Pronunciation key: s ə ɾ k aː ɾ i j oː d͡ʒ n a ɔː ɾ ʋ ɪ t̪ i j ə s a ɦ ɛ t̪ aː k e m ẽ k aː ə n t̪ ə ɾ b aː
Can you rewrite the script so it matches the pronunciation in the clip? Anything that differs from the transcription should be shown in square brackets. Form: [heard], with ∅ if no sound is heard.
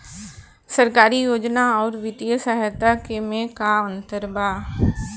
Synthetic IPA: s ə ɾ k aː ɾ i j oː d͡ʒ n a ɔː ɾ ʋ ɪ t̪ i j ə s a ɦ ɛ t̪ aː k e m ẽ k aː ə n t̪ ə ɾ b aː